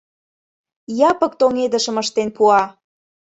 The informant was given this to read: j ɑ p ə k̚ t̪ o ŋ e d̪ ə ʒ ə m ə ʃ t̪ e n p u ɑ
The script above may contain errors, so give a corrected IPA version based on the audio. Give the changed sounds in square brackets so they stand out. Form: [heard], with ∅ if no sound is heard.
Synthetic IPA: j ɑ p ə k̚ t̪ o ŋ e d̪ ə [ʃ] ə m ə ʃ t̪ e n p u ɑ